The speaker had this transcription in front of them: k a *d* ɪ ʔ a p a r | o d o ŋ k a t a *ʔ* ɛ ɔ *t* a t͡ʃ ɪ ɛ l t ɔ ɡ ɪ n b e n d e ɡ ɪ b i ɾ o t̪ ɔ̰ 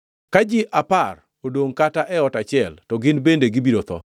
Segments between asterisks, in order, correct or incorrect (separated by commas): incorrect, correct, correct